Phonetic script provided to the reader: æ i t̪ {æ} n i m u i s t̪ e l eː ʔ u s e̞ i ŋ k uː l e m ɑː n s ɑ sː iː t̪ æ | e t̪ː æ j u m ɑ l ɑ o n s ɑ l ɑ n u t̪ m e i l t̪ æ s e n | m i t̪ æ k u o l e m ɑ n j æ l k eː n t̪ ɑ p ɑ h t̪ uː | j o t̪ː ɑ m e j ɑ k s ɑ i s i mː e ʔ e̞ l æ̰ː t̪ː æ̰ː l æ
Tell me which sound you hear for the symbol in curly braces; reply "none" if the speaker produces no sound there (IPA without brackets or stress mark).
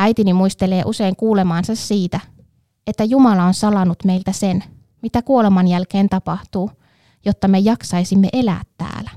i